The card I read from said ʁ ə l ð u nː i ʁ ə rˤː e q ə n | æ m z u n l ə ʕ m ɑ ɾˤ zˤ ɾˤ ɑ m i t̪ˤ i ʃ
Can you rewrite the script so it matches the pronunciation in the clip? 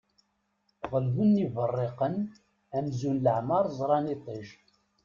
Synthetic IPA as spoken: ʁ ə l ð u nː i v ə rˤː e q ə n | æ m z u n l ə ʕ m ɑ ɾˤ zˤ ɾˤ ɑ n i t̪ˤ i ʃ